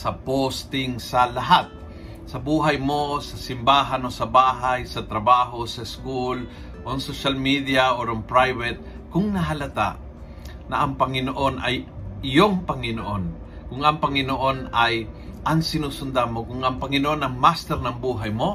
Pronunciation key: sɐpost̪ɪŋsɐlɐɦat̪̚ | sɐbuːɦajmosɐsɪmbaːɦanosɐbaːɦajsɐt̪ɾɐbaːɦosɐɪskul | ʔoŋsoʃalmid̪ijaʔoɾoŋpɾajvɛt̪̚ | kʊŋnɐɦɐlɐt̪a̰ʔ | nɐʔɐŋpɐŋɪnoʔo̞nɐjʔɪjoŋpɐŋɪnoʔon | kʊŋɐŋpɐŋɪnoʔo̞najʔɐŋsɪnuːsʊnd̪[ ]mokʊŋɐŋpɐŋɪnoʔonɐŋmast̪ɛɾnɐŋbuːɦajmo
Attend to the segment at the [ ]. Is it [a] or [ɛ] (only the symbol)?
a